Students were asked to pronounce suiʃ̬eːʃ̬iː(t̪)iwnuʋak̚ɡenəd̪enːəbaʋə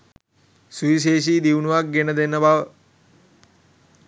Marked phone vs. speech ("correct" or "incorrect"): incorrect